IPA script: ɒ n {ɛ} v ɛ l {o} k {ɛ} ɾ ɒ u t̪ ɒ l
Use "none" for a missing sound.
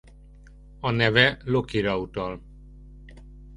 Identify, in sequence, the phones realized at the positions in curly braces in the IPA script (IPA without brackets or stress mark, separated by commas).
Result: ɛ, o, i